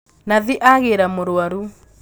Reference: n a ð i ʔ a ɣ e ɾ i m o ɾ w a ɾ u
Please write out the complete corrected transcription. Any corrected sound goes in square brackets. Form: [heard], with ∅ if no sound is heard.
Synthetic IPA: n a ð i ʔ a ɣ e ɾ [a] m o ɾ w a ɾ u